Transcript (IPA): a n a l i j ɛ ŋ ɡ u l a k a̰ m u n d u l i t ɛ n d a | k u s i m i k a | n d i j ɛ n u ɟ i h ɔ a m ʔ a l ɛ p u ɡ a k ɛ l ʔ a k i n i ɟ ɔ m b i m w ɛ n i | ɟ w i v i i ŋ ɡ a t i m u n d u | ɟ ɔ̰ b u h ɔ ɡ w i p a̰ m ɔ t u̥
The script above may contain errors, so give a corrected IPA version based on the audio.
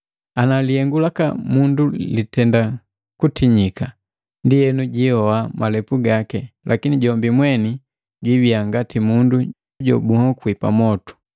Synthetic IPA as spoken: a n a l i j ɛ ŋ ɡ u l a k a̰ m u n d u l i t ɛ n d a | k u t i ɲ i k a | n d i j ɛ n u ɟ i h ɔ a m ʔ a l ɛ p u ɡ a k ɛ l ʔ a k i n i ɟ ɔ m b i m w ɛ n i | ɟ w i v i a ŋ ɡ a t i m u n d u | ɟ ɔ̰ b u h ɔ k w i p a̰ m ɔ t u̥